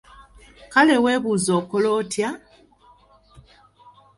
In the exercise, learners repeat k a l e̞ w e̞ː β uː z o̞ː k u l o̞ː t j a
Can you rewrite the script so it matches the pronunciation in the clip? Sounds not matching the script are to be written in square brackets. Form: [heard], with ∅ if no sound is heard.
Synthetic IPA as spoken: k a l e̞ w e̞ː β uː z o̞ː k [o] l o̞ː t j a